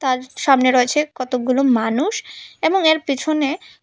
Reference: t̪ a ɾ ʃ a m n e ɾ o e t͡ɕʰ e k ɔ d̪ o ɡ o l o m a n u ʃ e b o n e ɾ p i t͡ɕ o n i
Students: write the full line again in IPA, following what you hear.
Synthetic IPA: t̪ a ɾ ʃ a m n e ɾ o e t͡ɕʰ e k ɔ t̪ o ɡ u l o m a n u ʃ e b o ŋ e ɾ p i t͡ɕʰ o n e